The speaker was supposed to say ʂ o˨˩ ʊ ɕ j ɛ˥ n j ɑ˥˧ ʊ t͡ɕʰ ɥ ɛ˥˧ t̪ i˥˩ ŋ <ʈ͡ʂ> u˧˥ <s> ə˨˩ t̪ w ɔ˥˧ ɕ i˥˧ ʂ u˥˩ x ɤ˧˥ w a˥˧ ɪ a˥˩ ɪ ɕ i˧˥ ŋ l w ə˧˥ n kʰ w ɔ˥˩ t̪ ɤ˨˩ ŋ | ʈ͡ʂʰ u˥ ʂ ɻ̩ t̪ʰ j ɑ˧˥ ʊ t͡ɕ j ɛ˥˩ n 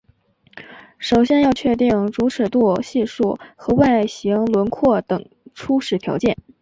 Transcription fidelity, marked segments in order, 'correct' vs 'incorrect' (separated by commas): correct, incorrect